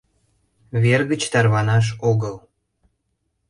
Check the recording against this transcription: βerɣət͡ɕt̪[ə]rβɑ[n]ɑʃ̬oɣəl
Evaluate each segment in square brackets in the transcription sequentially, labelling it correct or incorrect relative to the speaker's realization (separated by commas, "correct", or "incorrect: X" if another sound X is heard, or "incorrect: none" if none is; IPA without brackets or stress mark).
incorrect: ɑ, correct